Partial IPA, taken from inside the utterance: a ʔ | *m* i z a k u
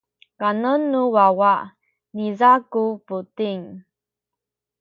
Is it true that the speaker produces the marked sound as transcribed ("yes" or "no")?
no